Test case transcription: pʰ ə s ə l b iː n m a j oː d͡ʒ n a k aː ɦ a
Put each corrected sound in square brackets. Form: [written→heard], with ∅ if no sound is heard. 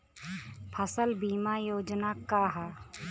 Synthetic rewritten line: pʰ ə s ə l b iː [n→∅] m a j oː d͡ʒ n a k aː ɦ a

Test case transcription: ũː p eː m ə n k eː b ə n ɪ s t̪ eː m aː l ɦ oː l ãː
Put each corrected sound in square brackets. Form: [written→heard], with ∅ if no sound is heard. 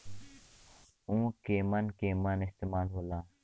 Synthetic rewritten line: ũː [p→k] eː m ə n k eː [b→m] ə n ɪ s t̪ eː m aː l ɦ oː l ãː

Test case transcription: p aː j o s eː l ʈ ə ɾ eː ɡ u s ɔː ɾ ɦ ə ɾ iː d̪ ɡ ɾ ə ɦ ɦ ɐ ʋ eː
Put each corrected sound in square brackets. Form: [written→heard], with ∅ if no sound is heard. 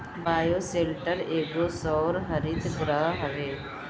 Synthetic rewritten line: [p→b] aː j o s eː l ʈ ə ɾ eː ɡ [u→o] s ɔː ɾ ɦ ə ɾ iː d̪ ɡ ɾ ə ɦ ɦ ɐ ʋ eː

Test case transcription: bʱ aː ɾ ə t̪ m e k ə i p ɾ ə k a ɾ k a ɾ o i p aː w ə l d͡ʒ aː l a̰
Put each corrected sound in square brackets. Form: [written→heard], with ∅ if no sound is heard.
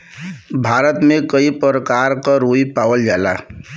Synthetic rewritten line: bʱ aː ɾ ə t̪ m e k ə i p ɾ ə k a ɾ k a ɾ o i p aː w ə l d͡ʒ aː l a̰

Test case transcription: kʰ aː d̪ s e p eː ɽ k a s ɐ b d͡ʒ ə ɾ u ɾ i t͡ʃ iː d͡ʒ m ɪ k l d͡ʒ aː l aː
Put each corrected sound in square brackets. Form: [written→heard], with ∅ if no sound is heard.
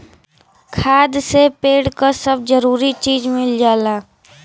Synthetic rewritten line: kʰ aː d̪ s e p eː ɽ k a s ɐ b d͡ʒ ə ɾ [u→uː] ɾ i t͡ʃ iː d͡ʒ m ɪ [k→∅] l d͡ʒ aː l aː

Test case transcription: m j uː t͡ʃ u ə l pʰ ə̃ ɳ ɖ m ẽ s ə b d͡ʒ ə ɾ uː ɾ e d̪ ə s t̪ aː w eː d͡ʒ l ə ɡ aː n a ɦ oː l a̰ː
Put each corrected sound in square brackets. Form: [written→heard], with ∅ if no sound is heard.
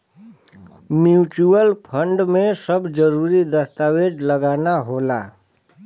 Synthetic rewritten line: m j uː t͡ʃ u ə l pʰ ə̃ ɳ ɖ m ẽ s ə b d͡ʒ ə ɾ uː ɾ [e→i] d̪ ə s t̪ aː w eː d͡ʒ l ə ɡ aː n a ɦ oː l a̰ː

